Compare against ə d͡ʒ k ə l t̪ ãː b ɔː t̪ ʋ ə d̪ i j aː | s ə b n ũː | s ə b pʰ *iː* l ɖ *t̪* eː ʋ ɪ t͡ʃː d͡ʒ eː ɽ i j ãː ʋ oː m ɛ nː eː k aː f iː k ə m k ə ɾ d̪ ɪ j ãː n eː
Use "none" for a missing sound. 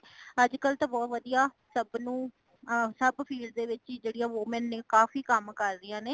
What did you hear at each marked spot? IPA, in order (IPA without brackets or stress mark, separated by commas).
iː, d̪